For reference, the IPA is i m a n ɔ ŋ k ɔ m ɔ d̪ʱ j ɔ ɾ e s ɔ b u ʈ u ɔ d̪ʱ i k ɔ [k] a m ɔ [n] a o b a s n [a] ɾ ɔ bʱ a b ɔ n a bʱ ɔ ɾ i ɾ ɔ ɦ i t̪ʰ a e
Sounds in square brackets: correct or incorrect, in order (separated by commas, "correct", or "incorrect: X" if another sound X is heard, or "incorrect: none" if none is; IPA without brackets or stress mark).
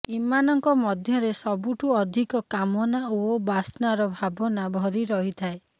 correct, correct, correct